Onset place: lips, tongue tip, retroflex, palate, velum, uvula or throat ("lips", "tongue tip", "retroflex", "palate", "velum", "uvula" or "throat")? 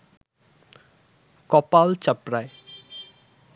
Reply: velum